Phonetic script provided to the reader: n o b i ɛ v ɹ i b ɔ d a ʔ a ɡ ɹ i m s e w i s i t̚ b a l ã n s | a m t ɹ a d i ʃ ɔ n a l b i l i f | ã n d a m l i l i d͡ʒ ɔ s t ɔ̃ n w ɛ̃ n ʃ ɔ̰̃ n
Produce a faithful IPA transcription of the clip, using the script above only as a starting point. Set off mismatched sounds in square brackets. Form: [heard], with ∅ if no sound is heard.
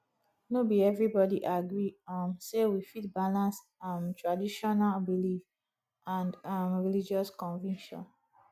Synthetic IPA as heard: n o b i ɛ v ɹ i b ɔ d [i] ʔ a ɡ ɹ i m s e w i [f] i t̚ b a l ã n s | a m t ɹ a d i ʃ ɔ n a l b i l i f | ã n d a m [ɹ] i l i d͡ʒ ɔ s [k] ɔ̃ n [v] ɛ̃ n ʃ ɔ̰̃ n